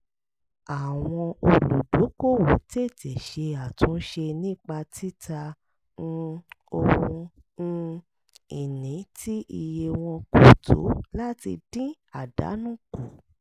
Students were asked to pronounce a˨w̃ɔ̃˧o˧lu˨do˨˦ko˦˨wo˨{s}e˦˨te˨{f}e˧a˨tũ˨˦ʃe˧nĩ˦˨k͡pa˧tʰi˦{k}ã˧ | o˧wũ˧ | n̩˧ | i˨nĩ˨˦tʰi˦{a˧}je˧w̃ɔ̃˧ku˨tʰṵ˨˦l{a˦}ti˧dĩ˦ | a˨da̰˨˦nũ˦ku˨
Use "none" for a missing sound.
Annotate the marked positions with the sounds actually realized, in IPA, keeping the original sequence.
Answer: t, ʃ, t, i˧, a˦

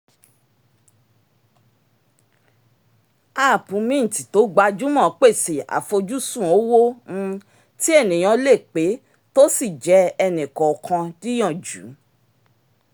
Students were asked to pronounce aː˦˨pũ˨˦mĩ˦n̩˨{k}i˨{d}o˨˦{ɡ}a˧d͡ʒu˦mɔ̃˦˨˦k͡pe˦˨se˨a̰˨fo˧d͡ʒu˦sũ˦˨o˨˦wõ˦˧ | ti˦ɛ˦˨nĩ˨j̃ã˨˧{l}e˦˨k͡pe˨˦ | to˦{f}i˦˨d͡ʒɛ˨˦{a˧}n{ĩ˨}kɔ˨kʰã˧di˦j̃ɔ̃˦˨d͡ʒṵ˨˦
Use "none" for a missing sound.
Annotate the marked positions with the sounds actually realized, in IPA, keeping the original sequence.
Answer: t, t, ɡ͡b, l, s, ɛ˧, ĩ˨

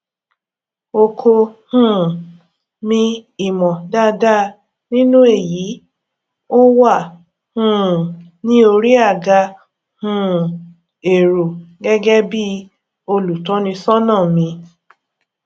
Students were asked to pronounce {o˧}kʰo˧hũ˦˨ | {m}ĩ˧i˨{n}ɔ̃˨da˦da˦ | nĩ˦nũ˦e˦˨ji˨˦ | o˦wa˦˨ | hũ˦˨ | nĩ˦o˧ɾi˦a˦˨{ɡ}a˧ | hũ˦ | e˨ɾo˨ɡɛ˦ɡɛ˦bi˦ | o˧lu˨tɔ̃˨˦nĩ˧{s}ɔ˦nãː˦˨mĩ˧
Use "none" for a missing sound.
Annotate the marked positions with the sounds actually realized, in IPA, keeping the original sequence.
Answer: o˧, m, m, ɡ, s

